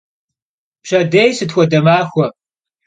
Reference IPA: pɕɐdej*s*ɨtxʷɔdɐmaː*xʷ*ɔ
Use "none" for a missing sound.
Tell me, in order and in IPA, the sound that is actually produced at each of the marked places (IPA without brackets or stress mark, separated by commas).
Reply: s, xʷ